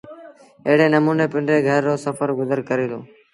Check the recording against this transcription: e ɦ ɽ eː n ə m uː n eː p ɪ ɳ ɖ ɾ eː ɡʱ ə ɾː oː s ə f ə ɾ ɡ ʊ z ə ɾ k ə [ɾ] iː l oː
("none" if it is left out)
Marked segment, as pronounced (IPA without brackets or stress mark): ɾ